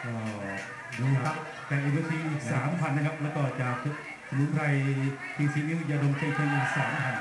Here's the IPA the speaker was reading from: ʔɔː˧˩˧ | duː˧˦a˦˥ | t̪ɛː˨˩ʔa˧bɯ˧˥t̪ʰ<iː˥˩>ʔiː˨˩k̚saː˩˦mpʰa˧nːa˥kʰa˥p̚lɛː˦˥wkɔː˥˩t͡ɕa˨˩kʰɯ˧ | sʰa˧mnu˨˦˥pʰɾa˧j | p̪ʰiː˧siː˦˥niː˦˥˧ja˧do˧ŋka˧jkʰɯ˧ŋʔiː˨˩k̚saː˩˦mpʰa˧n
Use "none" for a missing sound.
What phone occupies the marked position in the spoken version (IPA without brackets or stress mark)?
iː˧